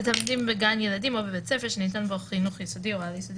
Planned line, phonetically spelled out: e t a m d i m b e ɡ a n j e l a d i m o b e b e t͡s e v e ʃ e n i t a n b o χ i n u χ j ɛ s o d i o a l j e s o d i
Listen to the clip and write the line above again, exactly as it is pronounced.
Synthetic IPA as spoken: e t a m d i m b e ɡ a n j e l a d i m o b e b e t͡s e f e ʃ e n i t a n b o χ i n u χ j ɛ s o d i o a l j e s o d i

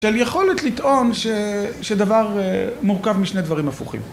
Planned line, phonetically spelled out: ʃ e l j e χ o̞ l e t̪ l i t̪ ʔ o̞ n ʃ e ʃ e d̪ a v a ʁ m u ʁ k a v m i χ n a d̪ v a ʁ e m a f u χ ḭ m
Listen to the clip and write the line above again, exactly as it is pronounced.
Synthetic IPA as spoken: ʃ e l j e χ o̞ l e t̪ l i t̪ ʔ o̞ n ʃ e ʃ e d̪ a v a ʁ m u ʁ k a v m i ʃ n e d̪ v a ʁ i m a f u χ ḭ m

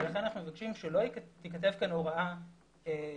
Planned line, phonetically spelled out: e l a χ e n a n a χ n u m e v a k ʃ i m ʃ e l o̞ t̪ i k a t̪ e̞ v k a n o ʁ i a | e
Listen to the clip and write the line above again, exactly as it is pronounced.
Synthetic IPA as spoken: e l a χ e n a n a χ n u m e v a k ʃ i m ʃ e l o̞ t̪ i k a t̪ e̞ v k a n o ʁ a a | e

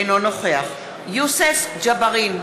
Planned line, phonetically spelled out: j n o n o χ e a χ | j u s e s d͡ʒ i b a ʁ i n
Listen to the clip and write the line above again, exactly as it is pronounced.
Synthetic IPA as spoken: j n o n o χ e a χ | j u s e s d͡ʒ a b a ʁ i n

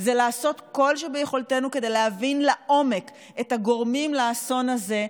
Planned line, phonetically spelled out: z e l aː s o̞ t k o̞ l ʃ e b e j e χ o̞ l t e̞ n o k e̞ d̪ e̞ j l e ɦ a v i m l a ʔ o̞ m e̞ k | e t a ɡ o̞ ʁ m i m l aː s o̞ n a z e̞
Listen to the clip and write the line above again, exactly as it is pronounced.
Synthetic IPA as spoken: z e l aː s o̞ t k o̞ l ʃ e b e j e χ o̞ l t e̞ n u k e̞ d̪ e̞ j l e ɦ a v i n l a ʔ o̞ m e̞ k | e t a ɡ o̞ ʁ m i m l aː s o̞ n a z e̞

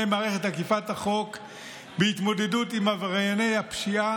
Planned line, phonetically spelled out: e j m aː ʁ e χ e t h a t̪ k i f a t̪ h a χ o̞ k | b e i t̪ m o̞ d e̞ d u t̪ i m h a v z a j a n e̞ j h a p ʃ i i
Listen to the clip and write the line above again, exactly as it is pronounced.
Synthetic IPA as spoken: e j m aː ʁ e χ e t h a k i f a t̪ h a χ o̞ k | b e i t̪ m o̞ d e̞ d u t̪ i m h a v ʁ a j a n e̞ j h a p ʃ i a

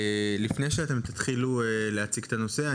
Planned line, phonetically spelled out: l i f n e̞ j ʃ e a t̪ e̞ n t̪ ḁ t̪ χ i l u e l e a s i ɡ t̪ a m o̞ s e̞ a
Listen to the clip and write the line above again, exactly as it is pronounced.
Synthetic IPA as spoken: l i f n e̞ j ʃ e a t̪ e̞ m t̪ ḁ t̪ χ i l u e l e a t͡s i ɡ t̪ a n o̞ s e̞ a

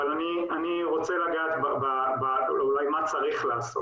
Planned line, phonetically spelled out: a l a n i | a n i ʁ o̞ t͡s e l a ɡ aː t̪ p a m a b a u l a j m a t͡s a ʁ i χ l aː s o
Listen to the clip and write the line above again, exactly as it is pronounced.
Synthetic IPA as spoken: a l a n i | a n i ʁ o̞ t͡s e l a ɡ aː t̪ b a b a b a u l a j m a t͡s a ʁ i χ l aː s o

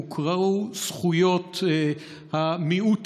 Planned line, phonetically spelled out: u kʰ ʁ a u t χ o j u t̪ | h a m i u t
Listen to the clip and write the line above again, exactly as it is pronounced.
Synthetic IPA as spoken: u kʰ ʁ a u s χ u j o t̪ | h a m i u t

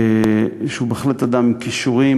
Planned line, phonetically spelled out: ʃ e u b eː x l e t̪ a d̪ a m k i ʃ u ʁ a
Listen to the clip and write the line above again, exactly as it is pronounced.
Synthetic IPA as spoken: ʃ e u b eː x l e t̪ a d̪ a m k i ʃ u ʁ i

